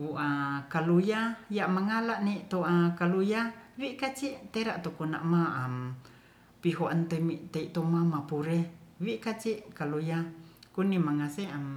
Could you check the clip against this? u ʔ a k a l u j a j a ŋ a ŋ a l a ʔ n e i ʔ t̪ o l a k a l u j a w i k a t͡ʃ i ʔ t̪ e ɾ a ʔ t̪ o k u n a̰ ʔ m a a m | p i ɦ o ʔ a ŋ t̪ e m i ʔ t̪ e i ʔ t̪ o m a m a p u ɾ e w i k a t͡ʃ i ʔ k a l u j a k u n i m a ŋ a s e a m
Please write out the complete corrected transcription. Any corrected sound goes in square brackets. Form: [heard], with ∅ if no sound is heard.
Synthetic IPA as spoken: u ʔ a k a l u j a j a [m] a ŋ a l a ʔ n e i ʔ t̪ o [∅] a k a l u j a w i k a t͡ʃ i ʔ t̪ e ɾ a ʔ t̪ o k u n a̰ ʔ m a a m | p i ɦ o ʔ a [n] t̪ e m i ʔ t̪ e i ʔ t̪ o m a m a p u ɾ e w i k a t͡ʃ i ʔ k a l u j a k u n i m a ŋ a s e a m